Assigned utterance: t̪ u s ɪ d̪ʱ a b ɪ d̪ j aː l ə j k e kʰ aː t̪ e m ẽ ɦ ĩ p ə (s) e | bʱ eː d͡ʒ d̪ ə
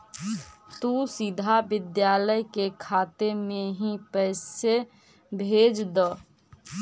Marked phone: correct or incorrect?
correct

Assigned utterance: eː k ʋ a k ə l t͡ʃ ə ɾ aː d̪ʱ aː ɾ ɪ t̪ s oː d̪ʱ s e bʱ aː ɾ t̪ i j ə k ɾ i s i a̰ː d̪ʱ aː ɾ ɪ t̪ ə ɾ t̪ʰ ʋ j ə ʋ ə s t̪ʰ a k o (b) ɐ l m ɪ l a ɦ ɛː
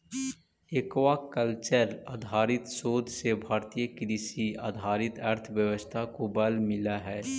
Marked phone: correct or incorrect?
correct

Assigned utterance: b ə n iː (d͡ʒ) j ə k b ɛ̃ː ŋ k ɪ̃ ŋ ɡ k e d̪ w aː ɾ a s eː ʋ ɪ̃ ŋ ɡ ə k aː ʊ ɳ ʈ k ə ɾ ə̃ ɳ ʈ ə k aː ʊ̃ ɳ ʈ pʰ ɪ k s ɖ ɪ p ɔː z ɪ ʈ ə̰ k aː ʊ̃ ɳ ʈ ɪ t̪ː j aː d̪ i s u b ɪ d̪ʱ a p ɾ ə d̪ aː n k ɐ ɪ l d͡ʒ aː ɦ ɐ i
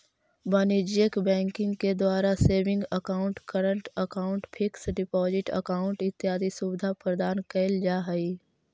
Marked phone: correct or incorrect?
correct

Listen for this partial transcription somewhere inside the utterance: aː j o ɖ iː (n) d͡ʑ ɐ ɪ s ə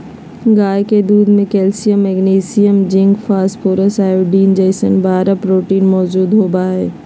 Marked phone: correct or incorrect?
correct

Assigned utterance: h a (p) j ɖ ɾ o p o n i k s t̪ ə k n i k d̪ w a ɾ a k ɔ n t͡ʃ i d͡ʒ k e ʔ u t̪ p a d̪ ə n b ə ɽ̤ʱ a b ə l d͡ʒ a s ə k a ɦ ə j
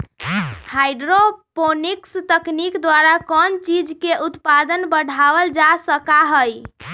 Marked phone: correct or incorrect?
incorrect: none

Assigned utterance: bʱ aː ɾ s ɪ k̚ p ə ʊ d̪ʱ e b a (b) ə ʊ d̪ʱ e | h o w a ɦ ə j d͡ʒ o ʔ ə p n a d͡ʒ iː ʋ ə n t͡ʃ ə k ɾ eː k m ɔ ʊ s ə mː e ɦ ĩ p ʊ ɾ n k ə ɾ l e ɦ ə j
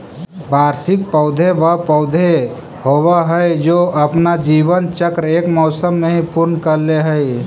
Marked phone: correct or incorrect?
incorrect: p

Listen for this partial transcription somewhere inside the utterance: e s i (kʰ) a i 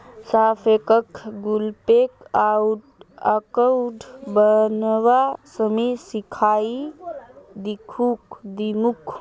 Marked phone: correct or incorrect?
correct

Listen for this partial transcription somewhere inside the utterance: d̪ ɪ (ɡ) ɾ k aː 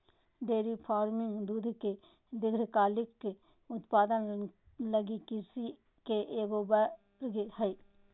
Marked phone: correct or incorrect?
correct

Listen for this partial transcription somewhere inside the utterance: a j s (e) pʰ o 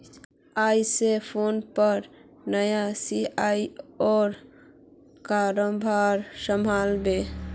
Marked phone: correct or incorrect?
correct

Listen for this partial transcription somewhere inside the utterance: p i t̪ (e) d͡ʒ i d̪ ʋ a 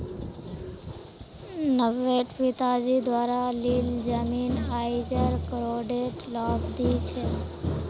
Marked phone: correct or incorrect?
incorrect: a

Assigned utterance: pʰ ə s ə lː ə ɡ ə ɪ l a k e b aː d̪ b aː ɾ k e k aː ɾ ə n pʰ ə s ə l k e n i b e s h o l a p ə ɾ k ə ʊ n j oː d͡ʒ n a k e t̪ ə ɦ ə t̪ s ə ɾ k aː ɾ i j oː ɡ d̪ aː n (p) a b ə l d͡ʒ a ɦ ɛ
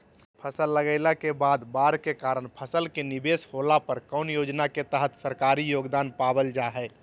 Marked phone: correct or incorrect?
correct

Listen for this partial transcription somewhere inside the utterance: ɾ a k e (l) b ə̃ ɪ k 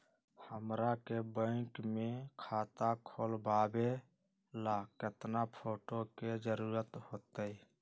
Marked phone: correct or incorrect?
incorrect: none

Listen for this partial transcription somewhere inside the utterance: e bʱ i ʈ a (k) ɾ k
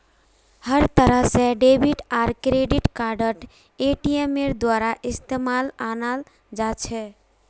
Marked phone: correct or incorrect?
incorrect: none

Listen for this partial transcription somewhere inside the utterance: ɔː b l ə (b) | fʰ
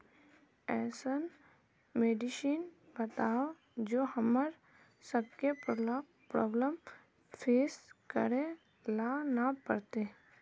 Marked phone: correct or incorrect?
incorrect: m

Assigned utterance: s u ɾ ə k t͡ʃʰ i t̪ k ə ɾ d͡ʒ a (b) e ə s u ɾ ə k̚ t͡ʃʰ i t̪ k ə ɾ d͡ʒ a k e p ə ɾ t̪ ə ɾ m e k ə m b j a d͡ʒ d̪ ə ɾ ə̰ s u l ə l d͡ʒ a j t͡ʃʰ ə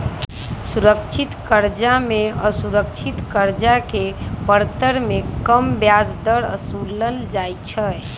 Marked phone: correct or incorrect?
incorrect: m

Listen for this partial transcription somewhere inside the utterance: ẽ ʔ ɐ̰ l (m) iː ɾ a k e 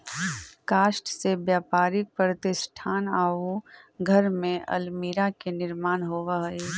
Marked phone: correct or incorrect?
correct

